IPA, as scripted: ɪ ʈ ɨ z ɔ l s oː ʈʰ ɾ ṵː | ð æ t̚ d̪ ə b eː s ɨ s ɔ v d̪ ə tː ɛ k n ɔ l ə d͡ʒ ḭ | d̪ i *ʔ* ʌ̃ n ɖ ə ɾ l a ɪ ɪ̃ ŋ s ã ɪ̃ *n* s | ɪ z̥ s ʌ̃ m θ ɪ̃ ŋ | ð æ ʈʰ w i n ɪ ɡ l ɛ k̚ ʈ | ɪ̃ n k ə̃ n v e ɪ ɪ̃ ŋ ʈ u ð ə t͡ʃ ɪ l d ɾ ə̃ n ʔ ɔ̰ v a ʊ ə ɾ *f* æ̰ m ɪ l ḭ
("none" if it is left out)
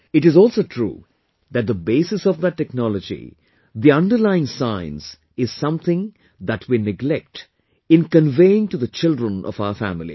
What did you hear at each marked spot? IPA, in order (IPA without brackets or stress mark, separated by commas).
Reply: none, n, f